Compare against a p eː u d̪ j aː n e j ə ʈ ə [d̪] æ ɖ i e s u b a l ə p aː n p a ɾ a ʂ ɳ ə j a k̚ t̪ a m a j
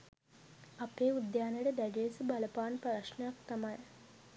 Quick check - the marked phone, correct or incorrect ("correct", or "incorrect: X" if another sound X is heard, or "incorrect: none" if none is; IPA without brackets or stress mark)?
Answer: correct